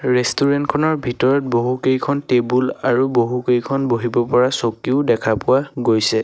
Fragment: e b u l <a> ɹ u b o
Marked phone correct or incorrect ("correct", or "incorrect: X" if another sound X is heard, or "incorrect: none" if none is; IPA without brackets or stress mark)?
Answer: correct